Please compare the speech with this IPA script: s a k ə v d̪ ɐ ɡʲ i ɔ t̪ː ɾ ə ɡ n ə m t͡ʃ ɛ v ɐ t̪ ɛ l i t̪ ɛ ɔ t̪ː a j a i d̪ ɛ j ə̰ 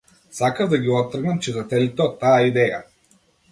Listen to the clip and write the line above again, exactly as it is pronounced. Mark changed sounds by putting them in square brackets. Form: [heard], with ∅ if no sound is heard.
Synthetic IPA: s a k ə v d̪ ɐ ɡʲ i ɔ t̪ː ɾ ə ɡ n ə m t͡ʃ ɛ [z] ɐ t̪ ɛ l i t̪ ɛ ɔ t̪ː a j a i d̪ ɛ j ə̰